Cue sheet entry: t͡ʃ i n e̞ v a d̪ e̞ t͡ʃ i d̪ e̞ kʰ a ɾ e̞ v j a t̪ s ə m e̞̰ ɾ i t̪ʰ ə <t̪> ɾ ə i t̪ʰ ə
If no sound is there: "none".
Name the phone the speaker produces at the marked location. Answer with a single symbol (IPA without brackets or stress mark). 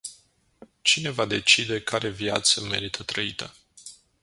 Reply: t̪